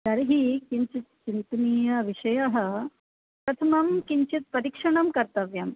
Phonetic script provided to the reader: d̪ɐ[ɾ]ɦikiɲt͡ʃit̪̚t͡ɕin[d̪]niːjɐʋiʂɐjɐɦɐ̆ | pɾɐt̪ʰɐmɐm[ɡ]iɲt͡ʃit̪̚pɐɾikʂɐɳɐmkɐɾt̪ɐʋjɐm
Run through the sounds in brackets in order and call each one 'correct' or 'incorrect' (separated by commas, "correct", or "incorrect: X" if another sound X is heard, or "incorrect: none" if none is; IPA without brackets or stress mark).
correct, incorrect: t̪, incorrect: k